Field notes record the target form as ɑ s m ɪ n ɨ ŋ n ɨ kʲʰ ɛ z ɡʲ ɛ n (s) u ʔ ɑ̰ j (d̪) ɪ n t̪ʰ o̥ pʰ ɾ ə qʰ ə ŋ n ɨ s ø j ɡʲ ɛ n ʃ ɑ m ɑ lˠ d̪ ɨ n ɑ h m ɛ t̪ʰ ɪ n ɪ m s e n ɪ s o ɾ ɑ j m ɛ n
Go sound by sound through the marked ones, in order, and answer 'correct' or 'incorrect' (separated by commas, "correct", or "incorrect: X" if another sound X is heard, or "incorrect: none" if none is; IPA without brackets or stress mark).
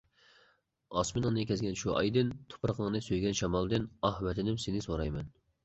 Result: incorrect: ʃ, correct